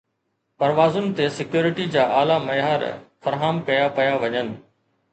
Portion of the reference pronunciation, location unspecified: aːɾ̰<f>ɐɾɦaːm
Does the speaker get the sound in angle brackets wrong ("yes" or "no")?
no